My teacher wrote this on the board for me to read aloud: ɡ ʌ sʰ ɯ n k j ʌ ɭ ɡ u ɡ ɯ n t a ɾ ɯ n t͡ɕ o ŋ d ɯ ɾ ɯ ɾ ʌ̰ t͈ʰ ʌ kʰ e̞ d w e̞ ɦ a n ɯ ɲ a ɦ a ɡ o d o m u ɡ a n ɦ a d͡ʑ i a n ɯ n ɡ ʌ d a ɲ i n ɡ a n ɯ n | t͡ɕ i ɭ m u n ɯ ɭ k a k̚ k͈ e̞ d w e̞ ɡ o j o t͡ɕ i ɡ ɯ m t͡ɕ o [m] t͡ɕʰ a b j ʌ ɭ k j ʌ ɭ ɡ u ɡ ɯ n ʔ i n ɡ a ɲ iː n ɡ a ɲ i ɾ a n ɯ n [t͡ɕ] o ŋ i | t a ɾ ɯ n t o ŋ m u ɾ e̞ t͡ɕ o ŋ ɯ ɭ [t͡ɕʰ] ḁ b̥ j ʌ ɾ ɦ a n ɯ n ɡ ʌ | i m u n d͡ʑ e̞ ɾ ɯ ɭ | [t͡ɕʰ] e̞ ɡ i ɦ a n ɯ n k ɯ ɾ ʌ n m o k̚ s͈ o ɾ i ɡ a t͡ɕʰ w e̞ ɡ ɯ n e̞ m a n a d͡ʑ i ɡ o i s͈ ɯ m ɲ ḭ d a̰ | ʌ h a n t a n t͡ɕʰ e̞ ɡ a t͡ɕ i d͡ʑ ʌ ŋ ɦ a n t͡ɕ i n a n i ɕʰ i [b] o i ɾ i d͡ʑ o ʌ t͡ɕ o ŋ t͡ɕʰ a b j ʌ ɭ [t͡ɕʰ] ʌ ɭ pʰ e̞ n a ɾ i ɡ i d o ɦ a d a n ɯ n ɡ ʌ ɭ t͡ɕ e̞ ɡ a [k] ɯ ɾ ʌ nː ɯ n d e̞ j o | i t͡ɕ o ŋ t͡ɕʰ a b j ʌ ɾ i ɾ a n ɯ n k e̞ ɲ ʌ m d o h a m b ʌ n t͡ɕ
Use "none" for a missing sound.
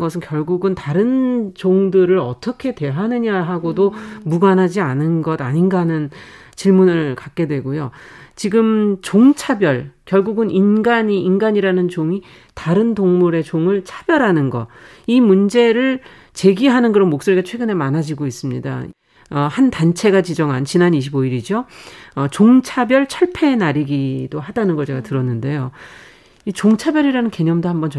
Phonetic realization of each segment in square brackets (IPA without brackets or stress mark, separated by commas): ŋ, t͡ɕ, t͡ɕʰ, t͡ɕ, b, t͡ɕʰ, t